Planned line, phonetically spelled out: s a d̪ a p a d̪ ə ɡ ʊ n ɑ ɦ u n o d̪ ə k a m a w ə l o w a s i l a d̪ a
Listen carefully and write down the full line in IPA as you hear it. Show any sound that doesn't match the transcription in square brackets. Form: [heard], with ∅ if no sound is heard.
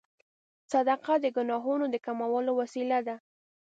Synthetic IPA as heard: s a d̪ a [q] a d̪ ə ɡ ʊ n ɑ ɦ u n o d̪ ə k a m a w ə l o w a s i l a d̪ a